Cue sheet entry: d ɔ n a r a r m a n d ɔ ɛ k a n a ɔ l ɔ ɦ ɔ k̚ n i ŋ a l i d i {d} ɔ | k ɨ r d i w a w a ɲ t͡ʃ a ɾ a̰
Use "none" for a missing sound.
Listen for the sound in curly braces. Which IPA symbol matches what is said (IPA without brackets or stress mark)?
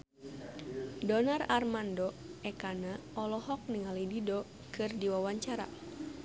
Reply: d